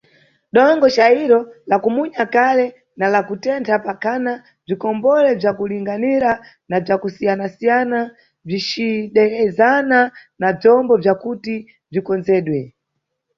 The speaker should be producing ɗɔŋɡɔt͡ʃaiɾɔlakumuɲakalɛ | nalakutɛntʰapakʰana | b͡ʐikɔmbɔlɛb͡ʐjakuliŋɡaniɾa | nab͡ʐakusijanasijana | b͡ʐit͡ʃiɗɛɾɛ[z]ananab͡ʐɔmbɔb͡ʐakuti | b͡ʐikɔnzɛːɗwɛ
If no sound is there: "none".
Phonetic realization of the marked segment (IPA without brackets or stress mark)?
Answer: z